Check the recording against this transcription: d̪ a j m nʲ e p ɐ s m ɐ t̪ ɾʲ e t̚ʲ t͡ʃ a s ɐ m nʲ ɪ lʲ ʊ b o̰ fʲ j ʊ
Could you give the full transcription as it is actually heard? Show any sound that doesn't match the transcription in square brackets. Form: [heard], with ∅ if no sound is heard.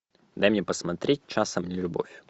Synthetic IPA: d̪ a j m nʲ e p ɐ s m ɐ t̪ ɾʲ e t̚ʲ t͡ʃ a s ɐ m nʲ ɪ lʲ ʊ b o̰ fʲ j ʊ